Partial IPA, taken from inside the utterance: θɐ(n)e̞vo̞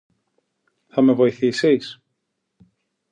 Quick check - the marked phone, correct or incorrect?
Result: incorrect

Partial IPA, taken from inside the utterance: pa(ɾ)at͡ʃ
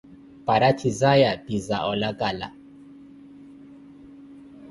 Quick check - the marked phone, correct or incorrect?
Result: correct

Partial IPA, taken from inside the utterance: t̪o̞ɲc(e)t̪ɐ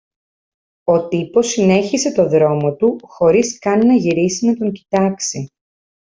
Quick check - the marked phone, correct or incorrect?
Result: incorrect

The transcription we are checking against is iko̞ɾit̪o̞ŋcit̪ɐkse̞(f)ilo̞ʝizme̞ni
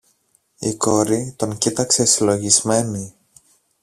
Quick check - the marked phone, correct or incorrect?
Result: incorrect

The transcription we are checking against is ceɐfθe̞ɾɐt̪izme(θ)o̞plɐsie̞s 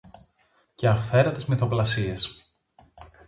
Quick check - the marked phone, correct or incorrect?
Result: correct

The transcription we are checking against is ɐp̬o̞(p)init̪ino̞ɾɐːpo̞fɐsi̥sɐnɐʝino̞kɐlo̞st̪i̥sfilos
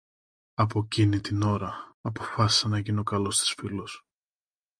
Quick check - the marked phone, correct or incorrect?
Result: incorrect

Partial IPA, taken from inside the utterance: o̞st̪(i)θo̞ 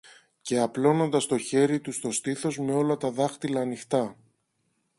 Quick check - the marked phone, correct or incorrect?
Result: correct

